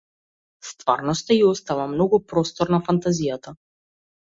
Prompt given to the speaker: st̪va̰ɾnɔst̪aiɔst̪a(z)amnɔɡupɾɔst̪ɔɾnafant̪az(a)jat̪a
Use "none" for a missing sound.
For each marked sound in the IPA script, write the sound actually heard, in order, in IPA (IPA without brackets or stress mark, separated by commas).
v, i